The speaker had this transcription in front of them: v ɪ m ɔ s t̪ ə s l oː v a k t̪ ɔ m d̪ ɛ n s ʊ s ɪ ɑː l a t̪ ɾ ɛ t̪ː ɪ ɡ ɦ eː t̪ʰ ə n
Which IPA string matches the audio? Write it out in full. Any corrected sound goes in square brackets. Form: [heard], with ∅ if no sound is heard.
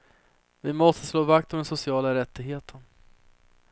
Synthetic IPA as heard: v ɪ m ɔ s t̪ ə s l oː v a k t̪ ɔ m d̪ ɛ n s ʊ s ɪ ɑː l a [∅] ɾ ɛ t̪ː ɪ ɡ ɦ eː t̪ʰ ə n